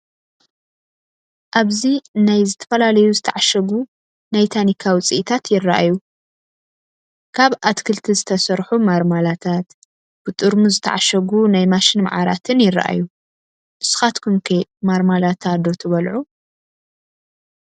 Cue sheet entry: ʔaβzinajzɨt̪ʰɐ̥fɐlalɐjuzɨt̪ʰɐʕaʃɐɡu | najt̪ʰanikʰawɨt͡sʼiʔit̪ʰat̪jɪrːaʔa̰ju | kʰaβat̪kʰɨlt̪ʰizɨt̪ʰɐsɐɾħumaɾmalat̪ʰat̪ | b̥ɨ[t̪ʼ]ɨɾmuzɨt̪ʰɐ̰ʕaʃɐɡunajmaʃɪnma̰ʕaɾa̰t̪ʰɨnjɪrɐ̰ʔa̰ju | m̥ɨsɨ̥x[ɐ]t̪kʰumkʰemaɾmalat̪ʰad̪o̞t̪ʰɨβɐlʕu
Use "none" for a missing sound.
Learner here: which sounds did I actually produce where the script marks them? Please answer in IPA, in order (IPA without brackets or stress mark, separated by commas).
t̪ʼ, a